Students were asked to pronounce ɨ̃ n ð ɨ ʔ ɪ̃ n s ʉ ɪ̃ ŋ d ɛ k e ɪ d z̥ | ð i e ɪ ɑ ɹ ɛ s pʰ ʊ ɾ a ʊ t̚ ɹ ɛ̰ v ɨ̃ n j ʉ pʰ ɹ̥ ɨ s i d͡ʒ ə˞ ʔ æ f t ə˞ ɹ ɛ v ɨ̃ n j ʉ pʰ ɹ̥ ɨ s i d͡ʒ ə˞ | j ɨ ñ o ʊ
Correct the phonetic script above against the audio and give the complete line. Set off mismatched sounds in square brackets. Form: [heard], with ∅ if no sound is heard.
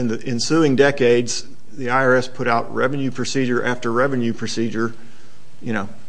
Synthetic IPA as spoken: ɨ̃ n ð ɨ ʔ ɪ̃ n s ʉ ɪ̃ ŋ d ɛ k e ɪ d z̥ | ð i [a] ɪ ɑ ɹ ɛ s pʰ ʊ ɾ a ʊ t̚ ɹ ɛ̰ v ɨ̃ n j ʉ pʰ ɹ̥ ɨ s i d͡ʒ ə˞ ʔ æ f t ə˞ ɹ ɛ v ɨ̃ n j ʉ pʰ ɹ̥ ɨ s i d͡ʒ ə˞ | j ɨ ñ o ʊ